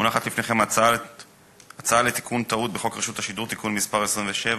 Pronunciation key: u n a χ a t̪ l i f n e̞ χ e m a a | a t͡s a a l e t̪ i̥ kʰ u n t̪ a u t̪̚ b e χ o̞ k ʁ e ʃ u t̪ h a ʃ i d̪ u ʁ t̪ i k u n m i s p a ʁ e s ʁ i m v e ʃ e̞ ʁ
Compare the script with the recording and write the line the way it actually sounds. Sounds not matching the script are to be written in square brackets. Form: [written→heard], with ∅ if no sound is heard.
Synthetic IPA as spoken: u n a χ a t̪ l i f n e̞ χ e m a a | a t͡s a a l e t̪ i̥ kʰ u n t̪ a u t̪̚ b e χ o̞ k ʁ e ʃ u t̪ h a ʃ i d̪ u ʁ t̪ i k u n m i s p a ʁ e s ʁ i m v e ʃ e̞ [ʁ→v]

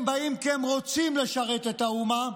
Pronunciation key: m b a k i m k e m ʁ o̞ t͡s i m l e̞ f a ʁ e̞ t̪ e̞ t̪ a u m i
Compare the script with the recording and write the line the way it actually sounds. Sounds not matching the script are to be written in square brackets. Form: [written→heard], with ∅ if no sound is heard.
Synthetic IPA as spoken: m b a [k→∅] i m k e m ʁ o̞ t͡s i m l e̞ [f→ʃ] a ʁ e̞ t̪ e̞ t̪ a u m [i→a]

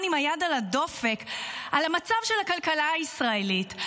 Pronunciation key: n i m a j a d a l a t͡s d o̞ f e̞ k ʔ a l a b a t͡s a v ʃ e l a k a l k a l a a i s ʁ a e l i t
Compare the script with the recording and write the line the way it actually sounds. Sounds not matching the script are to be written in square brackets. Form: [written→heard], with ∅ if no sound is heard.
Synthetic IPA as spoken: n i m a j a d a l a [t͡s→∅] d o̞ f e̞ k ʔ a l a [b→m] a t͡s a v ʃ e l a k a l k a l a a i s ʁ a e l i t

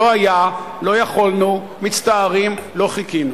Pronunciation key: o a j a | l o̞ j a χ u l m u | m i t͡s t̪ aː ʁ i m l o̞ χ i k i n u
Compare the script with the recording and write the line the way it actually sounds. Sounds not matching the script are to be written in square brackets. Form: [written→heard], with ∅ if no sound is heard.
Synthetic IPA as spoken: o a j a | l o̞ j a χ [u→o] l [m→n] u | m i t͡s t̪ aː ʁ i m l o̞ χ i k i n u

